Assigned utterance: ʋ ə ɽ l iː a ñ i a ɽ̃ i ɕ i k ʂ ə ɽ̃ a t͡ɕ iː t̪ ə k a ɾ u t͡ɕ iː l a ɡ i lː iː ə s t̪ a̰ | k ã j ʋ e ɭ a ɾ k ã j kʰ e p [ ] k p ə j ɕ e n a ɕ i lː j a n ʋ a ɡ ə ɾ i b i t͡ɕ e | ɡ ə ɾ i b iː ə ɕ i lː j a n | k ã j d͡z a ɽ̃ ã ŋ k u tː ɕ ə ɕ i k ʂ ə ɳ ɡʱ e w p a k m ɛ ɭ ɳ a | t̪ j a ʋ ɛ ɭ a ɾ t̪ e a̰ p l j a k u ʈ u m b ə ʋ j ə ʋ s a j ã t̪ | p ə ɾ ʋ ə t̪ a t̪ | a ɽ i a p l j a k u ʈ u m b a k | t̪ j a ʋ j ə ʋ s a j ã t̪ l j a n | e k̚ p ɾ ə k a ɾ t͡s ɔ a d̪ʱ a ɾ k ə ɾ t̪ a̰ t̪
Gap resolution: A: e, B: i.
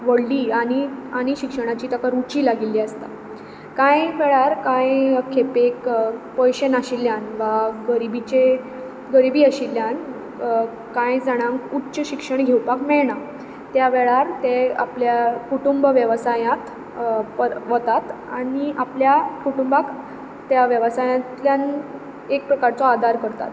A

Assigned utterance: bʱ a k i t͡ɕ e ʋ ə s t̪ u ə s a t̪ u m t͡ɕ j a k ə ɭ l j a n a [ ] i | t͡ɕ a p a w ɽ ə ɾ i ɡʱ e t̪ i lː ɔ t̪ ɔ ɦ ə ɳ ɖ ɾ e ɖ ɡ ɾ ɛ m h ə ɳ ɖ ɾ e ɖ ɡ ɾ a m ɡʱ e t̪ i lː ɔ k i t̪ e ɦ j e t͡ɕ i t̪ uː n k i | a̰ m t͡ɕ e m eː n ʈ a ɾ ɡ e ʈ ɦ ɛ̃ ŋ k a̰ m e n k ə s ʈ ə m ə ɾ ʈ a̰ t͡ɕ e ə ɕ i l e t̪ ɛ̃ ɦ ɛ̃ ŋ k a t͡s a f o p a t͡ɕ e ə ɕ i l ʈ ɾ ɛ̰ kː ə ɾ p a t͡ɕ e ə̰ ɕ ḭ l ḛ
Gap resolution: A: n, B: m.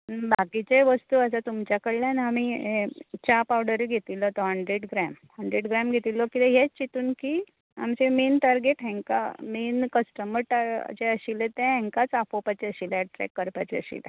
B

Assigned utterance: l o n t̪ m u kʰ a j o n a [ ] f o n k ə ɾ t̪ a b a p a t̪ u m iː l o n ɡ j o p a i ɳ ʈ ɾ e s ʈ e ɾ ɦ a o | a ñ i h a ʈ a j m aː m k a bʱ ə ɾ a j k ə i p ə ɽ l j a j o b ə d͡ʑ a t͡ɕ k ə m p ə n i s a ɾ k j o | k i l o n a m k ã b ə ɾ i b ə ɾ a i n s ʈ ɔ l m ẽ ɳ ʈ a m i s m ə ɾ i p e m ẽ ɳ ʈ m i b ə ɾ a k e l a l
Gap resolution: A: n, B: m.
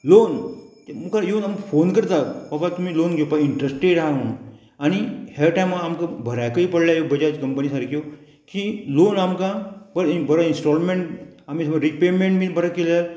B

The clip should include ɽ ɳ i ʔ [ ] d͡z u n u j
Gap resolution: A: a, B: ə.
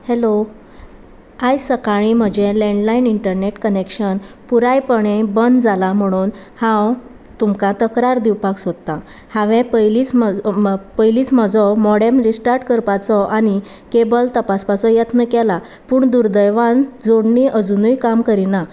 B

